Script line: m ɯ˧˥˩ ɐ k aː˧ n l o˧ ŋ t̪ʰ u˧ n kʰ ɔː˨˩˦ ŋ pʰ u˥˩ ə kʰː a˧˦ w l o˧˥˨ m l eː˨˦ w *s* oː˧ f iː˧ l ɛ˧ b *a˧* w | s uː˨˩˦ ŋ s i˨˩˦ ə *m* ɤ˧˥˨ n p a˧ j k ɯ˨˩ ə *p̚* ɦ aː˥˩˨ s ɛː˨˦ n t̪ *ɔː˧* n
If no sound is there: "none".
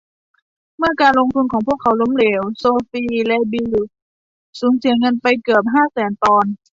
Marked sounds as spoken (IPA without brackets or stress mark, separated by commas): s, i˧, ŋ, p̚, ɔː˧